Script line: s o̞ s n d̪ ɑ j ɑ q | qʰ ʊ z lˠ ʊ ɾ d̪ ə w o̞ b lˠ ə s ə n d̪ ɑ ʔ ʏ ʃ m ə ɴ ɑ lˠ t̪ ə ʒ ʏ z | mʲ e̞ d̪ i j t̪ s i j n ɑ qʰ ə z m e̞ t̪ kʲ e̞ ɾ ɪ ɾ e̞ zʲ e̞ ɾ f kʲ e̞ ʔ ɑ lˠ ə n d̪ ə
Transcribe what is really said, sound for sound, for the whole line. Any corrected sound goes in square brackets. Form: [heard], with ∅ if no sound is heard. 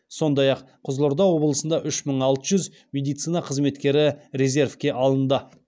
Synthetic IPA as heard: s o̞ [∅] n d̪ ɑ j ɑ q | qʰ ʊ z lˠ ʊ ɾ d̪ [ɑ] w o̞ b lˠ ə s ə n d̪ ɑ ʔ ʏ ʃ m ə ɴ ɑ lˠ t̪ ə ʒ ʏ z | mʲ e̞ d̪ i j t̪ s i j n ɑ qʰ ə z m e̞ t̪ kʲ e̞ ɾ ɪ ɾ e̞ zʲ e̞ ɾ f kʲ e̞ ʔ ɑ lˠ ə n d̪ ə